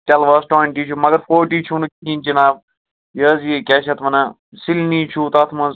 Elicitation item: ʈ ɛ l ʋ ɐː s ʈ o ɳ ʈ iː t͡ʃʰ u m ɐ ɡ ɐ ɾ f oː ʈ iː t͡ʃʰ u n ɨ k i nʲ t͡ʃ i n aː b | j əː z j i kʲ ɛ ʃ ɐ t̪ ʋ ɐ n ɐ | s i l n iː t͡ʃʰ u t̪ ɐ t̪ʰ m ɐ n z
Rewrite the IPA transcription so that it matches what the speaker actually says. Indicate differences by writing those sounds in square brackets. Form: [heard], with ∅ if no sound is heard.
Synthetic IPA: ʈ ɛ l ʋ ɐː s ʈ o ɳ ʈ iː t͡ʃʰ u m ɐ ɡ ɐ ɾ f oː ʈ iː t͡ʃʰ u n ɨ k i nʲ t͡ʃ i n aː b | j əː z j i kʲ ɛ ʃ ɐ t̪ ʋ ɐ n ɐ | s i l n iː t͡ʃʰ u t̪ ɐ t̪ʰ m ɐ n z